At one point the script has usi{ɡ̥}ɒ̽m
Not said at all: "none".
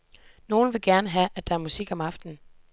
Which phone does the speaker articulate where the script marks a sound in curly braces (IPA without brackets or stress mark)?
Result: ɡ̥